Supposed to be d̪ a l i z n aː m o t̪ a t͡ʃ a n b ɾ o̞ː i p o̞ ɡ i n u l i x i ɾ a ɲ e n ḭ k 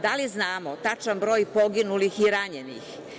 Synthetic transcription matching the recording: d̪ a l i z n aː m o t̪ a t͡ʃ a n b ɾ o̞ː j p o̞ ɡ i n u l i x i ɾ a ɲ e n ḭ x